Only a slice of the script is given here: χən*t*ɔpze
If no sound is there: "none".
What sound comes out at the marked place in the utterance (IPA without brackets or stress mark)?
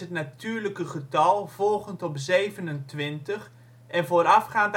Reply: t